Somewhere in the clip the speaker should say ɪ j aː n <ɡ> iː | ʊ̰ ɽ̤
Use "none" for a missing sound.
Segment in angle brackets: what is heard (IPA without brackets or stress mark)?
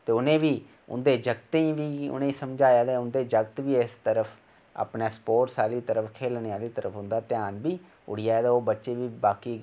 b